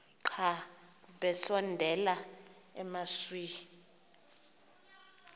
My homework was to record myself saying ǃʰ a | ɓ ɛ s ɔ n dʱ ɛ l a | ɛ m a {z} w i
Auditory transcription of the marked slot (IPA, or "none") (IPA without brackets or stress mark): s